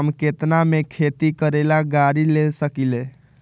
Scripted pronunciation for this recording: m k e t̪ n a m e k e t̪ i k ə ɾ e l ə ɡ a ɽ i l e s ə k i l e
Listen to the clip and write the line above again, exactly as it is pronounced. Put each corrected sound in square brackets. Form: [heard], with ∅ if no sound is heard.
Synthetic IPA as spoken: m k e t̪ n a m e [kʰ] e t̪ i k ə ɾ e l [a] ɡ a [ɾ] i l e s ə k i l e